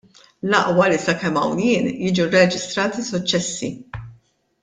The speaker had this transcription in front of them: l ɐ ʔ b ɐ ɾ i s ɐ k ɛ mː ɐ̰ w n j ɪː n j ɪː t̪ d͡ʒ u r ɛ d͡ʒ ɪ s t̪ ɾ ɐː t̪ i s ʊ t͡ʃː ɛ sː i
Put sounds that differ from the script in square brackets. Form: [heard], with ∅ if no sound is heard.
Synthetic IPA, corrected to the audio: l ɐ ʔ [w] ɐ [l] i s ɐ k ɛ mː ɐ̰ w n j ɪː n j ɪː [∅] d͡ʒ u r ɛ d͡ʒ ɪ s t̪ ɾ ɐː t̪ i s ʊ t͡ʃː ɛ sː i